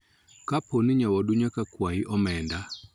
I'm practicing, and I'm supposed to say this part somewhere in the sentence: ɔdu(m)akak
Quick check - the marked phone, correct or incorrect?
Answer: incorrect